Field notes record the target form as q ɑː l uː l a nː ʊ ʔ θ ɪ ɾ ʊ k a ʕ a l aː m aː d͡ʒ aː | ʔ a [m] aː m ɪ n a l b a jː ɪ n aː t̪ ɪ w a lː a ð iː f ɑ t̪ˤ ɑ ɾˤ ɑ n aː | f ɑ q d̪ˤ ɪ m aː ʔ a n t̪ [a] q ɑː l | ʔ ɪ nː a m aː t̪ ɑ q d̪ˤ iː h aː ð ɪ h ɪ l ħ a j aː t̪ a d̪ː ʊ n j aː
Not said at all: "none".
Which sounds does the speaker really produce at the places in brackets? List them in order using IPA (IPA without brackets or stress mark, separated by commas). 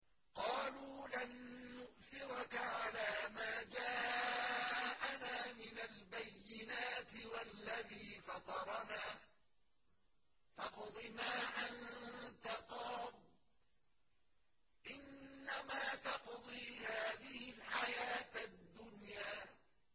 n, a